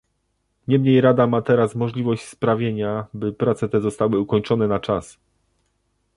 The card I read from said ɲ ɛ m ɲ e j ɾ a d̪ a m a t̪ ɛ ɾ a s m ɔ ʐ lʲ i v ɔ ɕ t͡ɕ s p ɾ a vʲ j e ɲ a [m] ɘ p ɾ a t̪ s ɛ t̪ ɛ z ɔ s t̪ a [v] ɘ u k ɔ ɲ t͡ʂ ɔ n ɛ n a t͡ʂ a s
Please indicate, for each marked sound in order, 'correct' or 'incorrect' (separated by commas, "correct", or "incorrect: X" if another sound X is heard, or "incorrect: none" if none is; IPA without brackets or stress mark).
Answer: incorrect: b, incorrect: w